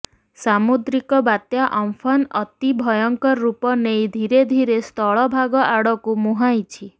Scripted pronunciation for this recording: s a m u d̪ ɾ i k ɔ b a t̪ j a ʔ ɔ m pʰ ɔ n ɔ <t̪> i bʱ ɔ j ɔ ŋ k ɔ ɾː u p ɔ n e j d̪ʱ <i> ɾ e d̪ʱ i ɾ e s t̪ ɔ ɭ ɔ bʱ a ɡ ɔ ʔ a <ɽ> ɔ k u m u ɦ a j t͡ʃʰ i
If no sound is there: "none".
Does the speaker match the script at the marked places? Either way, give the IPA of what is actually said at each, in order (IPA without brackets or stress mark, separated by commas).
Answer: t̪, i, ɽ